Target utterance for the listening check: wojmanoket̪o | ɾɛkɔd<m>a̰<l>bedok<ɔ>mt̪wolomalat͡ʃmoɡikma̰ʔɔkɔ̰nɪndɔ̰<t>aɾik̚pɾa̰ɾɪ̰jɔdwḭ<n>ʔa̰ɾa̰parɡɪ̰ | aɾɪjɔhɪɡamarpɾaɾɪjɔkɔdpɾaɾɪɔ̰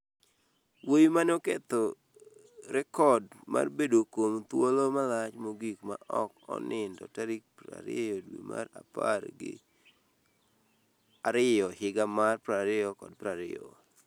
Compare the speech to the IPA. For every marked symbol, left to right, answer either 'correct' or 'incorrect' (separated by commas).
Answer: correct, incorrect, incorrect, correct, incorrect